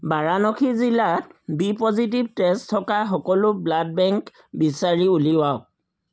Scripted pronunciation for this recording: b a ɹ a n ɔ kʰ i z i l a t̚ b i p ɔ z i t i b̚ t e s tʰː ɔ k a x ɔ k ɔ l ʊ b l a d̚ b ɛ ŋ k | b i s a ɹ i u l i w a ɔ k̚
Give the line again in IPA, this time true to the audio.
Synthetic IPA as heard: b a ɹ a n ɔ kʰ i z i l a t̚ b i p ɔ z i t i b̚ t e s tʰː ɔ k a x ɔ k ɔ l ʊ b l a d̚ b ɛ ŋ k | b i s a ɹ i u l i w a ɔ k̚